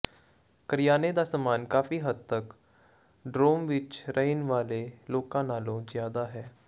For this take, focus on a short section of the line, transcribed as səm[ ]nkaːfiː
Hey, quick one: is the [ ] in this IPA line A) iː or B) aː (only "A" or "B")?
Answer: B